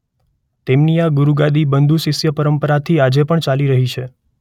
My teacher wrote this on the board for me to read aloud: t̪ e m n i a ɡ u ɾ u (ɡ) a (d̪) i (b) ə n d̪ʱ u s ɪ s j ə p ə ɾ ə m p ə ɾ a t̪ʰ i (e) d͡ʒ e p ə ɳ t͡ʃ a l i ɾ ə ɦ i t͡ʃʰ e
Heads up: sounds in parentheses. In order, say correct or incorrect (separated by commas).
correct, correct, correct, incorrect